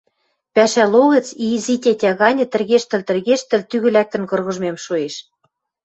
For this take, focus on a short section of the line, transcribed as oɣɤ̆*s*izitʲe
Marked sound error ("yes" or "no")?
yes